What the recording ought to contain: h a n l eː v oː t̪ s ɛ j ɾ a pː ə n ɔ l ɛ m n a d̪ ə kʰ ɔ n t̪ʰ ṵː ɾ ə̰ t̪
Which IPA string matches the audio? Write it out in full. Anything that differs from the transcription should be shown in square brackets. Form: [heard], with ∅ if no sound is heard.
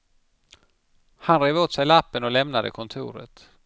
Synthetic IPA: h a n [ɾ] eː v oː t̪ s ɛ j [l] a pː ə n ɔ l ɛ m n a d̪ ə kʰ ɔ n t̪ʰ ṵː ɾ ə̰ t̪